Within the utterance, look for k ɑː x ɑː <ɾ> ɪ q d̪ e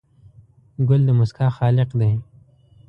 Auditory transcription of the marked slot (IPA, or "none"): l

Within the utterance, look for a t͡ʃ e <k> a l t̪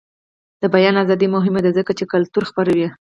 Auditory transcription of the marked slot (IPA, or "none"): k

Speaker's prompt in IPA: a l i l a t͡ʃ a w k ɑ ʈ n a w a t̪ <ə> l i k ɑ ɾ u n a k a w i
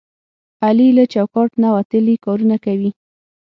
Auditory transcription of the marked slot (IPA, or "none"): ə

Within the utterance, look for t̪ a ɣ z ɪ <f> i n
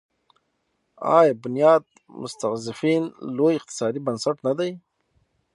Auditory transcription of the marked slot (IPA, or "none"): f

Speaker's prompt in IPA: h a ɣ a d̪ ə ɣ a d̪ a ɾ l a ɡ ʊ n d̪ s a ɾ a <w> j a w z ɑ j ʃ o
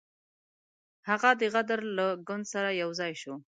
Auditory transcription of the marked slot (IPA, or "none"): none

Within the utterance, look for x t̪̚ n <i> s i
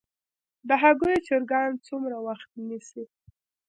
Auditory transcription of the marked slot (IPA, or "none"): i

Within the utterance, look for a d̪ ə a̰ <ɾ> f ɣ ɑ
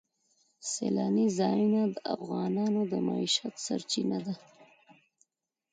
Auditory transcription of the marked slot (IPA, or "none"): none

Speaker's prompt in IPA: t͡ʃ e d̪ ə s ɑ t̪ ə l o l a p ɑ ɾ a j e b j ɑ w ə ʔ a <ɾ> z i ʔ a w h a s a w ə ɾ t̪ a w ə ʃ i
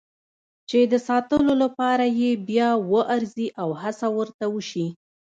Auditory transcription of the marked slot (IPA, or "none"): ɾ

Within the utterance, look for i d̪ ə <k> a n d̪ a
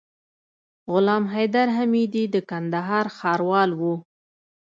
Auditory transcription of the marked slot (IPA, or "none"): k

